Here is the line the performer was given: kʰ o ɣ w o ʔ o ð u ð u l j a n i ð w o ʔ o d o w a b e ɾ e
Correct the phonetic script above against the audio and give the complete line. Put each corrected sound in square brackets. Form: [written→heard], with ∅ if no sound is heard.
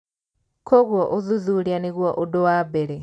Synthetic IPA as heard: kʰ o ɣ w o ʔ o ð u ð u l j a n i [ð→ɣ] w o ʔ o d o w a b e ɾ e